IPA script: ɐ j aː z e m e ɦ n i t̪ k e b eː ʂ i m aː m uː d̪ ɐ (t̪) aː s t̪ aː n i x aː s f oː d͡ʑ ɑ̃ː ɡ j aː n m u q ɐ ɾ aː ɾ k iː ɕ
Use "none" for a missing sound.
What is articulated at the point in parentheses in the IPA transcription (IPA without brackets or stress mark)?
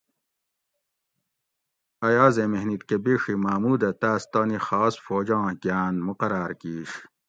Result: t̪